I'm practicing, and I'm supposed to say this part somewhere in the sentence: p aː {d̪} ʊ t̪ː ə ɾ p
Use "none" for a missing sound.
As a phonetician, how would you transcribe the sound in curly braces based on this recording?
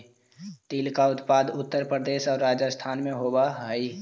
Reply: d̪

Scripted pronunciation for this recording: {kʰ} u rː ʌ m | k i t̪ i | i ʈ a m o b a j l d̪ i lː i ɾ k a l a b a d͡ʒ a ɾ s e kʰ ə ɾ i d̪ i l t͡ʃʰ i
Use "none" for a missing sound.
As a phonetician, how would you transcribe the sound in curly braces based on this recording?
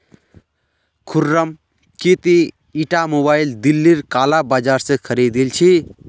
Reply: kʰ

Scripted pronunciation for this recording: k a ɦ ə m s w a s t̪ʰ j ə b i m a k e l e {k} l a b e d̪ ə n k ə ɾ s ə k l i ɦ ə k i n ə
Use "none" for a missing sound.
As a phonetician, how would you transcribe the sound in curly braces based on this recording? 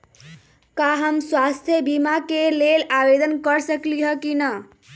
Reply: none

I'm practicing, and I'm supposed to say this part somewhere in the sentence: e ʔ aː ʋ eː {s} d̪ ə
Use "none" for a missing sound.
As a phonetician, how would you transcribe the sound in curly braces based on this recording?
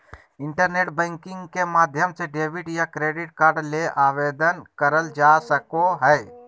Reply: none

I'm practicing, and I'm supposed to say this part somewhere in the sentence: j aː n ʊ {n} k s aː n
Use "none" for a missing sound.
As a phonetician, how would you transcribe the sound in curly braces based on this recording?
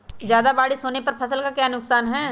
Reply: none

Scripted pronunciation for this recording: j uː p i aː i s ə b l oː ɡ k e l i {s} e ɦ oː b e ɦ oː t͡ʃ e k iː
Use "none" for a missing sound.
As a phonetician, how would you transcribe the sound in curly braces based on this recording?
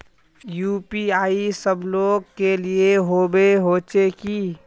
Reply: none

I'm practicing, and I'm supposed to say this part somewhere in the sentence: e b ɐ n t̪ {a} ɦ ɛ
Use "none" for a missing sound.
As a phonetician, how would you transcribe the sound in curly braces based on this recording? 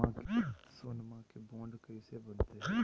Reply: e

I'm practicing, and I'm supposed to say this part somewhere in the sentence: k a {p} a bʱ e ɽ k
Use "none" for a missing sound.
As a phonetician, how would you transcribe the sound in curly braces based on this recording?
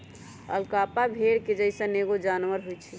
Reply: p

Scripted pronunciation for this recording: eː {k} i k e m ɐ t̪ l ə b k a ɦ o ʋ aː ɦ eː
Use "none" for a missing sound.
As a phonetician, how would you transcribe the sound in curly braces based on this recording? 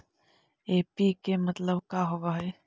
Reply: p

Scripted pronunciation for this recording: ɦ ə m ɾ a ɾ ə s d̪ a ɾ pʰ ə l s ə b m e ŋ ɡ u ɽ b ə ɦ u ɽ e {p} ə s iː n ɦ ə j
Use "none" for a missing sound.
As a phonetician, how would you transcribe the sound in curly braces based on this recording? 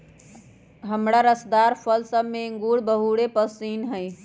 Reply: p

